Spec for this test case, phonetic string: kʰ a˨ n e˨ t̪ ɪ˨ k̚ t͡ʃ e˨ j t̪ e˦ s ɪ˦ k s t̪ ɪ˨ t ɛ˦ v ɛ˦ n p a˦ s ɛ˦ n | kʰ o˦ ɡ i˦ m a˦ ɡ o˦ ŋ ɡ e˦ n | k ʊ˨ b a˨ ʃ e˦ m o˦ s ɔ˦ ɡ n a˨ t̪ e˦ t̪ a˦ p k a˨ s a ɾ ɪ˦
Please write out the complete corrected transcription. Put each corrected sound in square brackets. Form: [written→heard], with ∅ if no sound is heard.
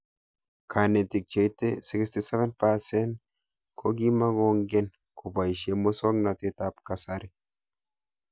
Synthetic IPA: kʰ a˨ n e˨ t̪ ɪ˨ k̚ t͡ʃ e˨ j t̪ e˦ s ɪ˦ k s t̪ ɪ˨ [t→s] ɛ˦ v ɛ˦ n p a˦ s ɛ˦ n | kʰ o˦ ɡ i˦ m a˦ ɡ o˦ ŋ ɡ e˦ n | k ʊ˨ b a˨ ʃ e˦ m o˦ s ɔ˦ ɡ n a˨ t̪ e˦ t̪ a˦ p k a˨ s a ɾ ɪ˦